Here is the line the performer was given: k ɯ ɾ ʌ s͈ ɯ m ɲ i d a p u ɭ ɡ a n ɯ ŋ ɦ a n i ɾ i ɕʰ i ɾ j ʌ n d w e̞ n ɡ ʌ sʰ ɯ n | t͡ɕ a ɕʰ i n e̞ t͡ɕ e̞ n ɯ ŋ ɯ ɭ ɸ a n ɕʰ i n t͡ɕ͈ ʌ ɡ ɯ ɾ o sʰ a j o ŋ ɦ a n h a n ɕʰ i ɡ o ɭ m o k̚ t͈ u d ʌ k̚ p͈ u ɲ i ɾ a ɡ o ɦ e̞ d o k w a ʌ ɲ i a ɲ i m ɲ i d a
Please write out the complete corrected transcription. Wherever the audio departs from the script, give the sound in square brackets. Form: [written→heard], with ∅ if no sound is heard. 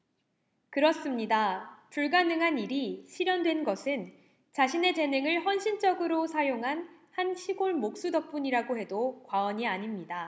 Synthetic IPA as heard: k ɯ ɾ ʌ s͈ ɯ m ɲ i d a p u ɭ ɡ a n ɯ ŋ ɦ a n i ɾ i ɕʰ i ɾ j ʌ n d w e̞ n ɡ ʌ sʰ ɯ n | t͡ɕ a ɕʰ i n e̞ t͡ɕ e̞ n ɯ ŋ ɯ ɭ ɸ [a→ʌ] n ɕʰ i n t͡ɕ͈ ʌ ɡ ɯ ɾ o sʰ a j o ŋ ɦ a n h a n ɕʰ i ɡ o ɭ m o k̚ [t͈→s͈] u d ʌ k̚ p͈ u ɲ i ɾ a ɡ o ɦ e̞ d o k w a ʌ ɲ i a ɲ i m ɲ i d a